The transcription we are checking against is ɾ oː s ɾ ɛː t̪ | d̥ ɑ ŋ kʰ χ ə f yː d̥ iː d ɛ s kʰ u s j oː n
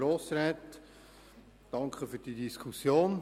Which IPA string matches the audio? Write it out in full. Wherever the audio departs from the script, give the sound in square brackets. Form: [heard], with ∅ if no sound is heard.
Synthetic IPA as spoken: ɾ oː s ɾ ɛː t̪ | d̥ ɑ ŋ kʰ χ ə f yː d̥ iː d [i] s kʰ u s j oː n